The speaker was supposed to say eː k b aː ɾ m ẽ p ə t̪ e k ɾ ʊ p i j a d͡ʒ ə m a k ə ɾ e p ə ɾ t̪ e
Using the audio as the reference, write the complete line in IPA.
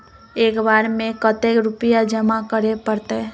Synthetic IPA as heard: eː k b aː ɾ m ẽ k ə t̪ e k ɾ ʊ p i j a d͡ʒ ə m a k ə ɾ e p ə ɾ t̪ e